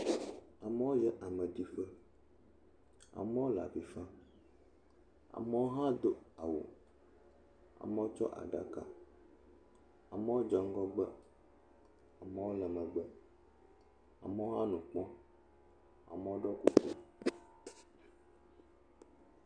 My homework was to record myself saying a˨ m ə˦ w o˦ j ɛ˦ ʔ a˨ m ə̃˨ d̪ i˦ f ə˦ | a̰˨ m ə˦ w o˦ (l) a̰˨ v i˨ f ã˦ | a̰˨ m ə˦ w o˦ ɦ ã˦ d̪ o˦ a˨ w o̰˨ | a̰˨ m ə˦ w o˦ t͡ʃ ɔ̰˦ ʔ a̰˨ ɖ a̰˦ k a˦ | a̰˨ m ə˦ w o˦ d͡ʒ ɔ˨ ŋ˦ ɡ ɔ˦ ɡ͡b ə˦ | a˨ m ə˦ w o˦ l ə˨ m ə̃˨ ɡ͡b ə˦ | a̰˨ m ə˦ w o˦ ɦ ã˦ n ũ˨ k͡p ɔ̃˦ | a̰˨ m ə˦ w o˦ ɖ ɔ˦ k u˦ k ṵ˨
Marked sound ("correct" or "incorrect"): correct